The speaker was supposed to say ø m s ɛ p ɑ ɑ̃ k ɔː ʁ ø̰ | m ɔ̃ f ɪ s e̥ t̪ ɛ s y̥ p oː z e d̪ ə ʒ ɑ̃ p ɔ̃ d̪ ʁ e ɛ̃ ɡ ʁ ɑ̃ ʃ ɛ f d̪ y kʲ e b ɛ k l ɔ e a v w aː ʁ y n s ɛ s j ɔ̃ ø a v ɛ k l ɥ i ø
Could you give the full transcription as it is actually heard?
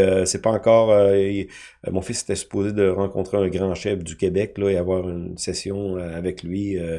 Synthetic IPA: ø s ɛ p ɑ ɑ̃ k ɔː ʁ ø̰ | m ɔ̃ f ɪ s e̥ t̪ ɛ s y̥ p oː z e d̪ ə ʁ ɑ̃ k ɔ̃ t̪ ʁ e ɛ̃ ɡ ʁ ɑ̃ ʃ ɛ f d̪ y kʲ e b ɛ k l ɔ e a v w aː ʁ y n s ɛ s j ɔ̃ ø a v ɛ k l ɥ i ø